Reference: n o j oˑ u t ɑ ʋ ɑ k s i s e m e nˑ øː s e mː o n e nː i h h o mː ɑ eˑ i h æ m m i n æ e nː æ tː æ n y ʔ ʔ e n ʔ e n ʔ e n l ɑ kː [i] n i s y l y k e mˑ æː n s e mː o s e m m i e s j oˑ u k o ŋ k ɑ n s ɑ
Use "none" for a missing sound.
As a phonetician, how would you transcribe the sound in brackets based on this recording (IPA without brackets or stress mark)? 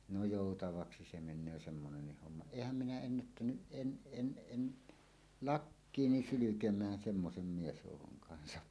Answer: iː